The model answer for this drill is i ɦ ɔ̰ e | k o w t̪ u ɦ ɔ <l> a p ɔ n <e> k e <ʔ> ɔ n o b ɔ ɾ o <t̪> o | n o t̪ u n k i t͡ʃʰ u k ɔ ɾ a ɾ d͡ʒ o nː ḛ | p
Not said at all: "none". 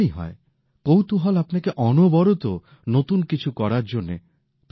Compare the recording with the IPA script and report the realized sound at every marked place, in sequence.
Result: l, a, ʔ, t̪

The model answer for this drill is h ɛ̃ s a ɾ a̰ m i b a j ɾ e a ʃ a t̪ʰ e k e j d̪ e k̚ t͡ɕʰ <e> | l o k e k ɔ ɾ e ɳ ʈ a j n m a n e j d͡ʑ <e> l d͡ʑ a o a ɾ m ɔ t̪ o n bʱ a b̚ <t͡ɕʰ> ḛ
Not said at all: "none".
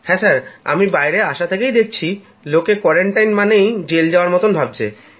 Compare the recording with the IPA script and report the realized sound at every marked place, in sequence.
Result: i, e, t͡ɕʰ

